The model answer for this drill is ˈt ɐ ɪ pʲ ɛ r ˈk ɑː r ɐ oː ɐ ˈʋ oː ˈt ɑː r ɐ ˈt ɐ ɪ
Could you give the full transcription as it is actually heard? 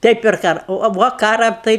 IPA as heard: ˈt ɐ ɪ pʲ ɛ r ˈk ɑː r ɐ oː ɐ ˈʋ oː ˈk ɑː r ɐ ˈt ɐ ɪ